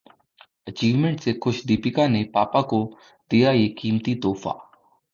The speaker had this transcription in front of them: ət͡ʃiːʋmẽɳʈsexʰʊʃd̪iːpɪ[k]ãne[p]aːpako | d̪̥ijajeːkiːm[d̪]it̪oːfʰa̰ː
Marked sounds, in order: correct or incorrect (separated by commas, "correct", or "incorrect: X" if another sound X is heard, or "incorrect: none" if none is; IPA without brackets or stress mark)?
correct, correct, incorrect: t̪